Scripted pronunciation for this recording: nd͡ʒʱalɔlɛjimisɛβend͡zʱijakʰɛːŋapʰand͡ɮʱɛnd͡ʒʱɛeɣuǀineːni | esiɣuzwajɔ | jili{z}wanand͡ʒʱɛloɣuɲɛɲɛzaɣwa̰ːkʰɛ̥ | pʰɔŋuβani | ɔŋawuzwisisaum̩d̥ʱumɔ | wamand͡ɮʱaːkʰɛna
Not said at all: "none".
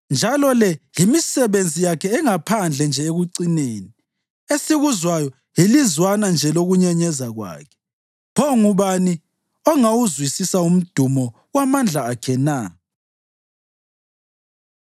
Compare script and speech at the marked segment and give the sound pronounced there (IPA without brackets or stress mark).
z